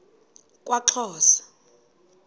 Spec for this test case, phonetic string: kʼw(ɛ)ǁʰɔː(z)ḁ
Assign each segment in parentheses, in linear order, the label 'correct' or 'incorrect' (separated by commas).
incorrect, incorrect